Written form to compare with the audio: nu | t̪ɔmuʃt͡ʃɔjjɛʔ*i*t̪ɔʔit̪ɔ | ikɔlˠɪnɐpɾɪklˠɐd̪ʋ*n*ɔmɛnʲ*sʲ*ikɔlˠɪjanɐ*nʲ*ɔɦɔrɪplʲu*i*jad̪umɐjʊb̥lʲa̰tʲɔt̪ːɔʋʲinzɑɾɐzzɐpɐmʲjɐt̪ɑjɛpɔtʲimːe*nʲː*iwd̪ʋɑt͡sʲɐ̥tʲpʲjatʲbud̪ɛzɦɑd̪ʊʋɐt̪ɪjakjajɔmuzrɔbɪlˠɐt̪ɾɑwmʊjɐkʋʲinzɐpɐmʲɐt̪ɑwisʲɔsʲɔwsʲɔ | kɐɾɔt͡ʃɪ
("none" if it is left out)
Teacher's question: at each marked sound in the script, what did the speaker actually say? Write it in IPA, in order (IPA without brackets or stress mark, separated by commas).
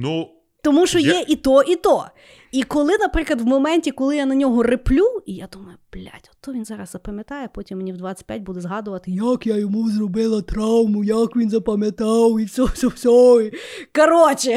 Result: i, m, tʲ, nʲ, i, nʲ